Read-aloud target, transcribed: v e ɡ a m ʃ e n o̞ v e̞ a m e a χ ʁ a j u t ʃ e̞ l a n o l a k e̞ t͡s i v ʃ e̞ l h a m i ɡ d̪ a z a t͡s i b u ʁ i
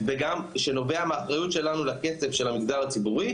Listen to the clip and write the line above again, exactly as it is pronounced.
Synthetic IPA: v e ɡ a m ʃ e n o̞ v e̞ a m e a χ ʁ a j u t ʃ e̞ l a n u l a k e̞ t͡s e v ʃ e̞ l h a m i ɡ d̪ a ʁ a t͡s i b u ʁ i